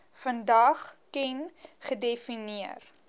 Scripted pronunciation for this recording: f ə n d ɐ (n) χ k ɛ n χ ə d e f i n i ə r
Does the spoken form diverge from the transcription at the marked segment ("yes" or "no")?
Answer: yes